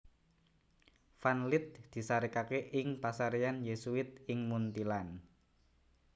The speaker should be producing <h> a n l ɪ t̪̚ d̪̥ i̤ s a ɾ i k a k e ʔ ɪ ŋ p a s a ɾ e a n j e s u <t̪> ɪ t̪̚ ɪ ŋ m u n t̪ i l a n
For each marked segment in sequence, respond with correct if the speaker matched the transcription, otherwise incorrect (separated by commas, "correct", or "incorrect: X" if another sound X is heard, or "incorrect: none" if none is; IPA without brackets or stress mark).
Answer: incorrect: f, incorrect: none